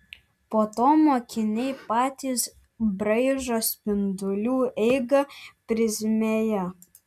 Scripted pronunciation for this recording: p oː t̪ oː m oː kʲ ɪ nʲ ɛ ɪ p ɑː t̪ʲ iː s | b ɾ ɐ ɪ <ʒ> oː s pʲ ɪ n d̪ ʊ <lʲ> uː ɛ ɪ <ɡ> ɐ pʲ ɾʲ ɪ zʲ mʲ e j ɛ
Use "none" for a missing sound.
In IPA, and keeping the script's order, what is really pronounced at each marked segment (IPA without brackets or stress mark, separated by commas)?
ʒ, lʲ, ɡ